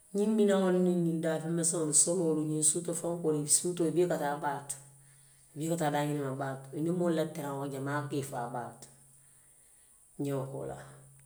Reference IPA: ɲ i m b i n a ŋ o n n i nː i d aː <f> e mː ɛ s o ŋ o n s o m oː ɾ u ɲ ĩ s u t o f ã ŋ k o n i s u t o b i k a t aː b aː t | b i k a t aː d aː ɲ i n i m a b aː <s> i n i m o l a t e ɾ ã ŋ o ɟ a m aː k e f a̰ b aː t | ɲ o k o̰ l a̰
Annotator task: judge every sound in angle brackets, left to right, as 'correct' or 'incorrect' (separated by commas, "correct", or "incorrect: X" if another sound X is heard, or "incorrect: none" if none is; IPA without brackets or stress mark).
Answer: correct, incorrect: t